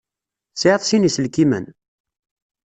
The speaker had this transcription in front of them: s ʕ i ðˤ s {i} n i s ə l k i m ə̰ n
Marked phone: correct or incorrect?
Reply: correct